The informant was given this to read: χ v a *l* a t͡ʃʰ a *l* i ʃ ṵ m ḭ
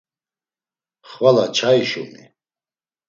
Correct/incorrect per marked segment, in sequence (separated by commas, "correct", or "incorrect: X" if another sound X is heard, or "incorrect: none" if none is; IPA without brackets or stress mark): correct, incorrect: none